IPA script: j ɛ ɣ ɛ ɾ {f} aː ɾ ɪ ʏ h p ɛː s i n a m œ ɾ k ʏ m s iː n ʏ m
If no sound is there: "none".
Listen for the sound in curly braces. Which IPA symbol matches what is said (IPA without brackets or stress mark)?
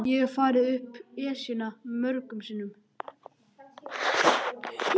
f